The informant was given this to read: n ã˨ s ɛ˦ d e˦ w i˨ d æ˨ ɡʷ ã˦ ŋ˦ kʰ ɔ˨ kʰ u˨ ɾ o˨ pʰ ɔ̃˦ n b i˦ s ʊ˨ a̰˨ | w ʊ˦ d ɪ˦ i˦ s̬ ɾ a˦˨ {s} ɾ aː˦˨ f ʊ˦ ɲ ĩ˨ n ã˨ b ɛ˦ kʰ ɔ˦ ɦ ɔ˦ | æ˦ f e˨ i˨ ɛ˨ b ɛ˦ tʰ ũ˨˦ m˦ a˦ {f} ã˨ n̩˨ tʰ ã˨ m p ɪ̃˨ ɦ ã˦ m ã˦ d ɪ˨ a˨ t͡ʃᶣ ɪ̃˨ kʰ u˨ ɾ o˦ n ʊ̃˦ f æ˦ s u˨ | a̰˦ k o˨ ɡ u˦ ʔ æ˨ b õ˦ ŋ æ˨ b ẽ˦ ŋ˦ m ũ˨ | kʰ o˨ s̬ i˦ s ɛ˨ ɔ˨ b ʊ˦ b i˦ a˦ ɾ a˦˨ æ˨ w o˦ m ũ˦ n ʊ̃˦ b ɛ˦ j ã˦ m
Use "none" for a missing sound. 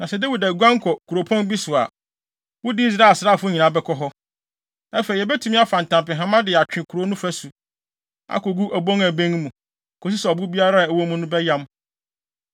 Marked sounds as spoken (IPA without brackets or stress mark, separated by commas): s, f